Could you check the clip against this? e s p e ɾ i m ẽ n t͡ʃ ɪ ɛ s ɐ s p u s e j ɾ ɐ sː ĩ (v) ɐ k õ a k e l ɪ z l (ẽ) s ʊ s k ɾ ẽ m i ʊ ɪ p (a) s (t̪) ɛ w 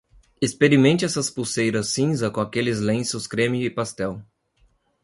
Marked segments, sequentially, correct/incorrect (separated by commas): incorrect, correct, correct, correct